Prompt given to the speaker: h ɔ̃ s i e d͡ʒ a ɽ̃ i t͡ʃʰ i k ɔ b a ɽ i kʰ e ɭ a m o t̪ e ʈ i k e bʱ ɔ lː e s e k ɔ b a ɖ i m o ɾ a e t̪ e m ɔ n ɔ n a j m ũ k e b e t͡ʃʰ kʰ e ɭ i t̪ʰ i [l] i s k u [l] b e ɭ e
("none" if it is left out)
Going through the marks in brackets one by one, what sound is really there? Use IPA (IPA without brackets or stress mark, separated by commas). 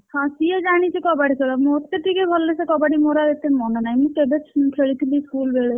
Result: l, l